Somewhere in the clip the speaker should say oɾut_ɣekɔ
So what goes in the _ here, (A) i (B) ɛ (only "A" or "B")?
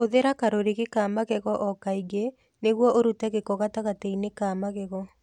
B